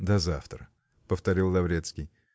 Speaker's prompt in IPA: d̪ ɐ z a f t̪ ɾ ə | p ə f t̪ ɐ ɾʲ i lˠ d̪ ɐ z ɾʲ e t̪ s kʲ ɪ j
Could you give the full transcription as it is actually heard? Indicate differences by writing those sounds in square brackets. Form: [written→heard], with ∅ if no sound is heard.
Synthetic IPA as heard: d̪ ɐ z a f t̪ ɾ ə | p ə f t̪ ɐ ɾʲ i lˠ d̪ ɐ [z→v] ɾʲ e t̪ s kʲ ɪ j